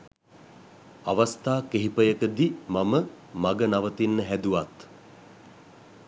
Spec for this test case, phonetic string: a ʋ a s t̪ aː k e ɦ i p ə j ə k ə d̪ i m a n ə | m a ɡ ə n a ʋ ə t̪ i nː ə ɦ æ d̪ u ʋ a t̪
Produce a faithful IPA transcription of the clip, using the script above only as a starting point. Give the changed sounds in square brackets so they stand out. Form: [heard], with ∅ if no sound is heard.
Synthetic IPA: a ʋ a s t̪ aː k e ɦ i p ə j ə k ə d̪ i m a [m] ə | m a ɡ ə n a ʋ ə t̪ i nː ə ɦ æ d̪ u ʋ a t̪